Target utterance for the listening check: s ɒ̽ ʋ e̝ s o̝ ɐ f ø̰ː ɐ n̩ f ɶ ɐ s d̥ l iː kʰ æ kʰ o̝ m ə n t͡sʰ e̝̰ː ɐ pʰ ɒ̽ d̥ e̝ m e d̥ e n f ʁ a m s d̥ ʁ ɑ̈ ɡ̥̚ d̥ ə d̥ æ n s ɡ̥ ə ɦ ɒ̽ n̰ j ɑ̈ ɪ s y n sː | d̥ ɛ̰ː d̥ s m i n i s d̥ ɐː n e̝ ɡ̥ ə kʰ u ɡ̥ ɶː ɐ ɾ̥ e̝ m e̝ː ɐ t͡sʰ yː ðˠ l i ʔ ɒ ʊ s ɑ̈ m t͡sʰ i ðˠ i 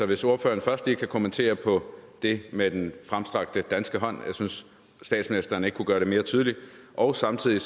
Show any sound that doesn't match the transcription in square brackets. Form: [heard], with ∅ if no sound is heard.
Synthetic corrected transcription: s ɒ̽ ʋ e̝ s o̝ ɐ f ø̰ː ɐ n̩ f ɶ ɐ s d̥ l iː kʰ æ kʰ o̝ m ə n t͡sʰ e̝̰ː ɐ pʰ ɒ̽ d̥ e̝ m e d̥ e n f ʁ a m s d̥ ʁ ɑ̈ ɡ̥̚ d̥ ə d̥ æ n s ɡ̥ ə ɦ ɒ̽ n̰ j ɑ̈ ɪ s y n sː | d̥ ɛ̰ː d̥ s m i n i s d̥ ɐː n e̝ ɡ̥ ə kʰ u ɡ̥ ɶː ɐ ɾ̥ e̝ m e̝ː ɐ t͡sʰ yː ðˠ l i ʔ ɒ ʊ s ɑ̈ m t͡sʰ i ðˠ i